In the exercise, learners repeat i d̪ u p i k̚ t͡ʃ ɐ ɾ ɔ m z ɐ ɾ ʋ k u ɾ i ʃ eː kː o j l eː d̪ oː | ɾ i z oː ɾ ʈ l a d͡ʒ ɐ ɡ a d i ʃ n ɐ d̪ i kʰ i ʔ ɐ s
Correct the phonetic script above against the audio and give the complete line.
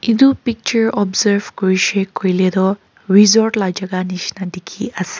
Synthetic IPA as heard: i d̪ u p i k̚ t͡ʃ ɐ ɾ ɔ b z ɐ ɾ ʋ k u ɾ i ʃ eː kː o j l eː d̪ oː | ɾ i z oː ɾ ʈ l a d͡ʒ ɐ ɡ a n i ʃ n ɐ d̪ i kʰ i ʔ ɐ s